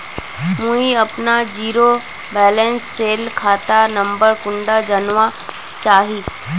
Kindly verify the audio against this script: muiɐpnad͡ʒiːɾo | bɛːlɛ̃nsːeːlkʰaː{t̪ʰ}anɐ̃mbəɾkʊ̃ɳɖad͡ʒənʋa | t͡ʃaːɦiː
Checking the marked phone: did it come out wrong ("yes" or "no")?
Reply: yes